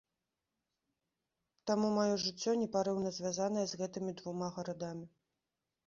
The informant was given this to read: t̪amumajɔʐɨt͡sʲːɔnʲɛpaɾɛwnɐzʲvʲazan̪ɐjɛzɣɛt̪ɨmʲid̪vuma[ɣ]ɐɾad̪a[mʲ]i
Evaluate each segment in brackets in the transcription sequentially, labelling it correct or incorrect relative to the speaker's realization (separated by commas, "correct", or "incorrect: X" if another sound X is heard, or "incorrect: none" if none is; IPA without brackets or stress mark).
correct, correct